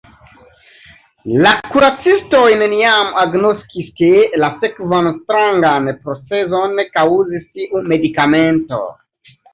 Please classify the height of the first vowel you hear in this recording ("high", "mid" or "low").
low